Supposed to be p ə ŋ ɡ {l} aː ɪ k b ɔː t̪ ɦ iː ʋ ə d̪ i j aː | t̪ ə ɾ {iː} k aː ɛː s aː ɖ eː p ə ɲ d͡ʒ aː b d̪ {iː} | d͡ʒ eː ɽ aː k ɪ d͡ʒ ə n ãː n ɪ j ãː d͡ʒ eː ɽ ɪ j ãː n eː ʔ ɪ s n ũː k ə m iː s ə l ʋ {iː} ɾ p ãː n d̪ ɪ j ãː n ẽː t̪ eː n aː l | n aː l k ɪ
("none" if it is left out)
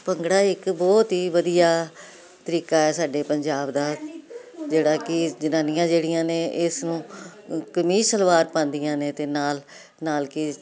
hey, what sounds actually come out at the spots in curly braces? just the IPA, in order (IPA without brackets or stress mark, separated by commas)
ɽ, iː, aː, aː